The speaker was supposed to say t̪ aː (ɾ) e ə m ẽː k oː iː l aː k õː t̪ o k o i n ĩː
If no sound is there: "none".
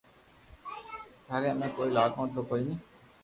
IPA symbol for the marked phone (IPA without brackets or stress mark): ɾ